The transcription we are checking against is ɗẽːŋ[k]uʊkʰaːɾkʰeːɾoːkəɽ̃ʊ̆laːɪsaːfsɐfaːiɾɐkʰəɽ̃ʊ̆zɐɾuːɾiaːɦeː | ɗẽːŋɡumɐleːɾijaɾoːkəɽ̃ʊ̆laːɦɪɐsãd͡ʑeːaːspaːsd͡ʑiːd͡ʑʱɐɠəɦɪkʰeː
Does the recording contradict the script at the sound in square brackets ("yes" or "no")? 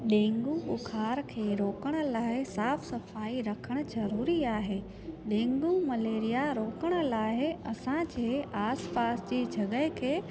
yes